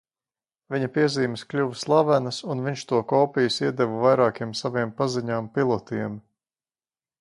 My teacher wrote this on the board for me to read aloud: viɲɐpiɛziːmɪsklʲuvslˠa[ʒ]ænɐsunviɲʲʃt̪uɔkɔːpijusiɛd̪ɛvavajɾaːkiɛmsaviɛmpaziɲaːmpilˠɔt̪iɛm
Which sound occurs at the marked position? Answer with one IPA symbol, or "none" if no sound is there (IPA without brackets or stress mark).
v